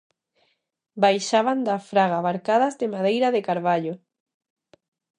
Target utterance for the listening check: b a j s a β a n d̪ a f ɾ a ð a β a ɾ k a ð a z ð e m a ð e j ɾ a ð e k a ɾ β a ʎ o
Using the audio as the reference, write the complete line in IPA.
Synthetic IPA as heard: b a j ʃ a β a n d̪ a f ɾ a ɣ a β a ɾ k a ð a z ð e m a ð e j ɾ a ð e k a ɾ β a ʎ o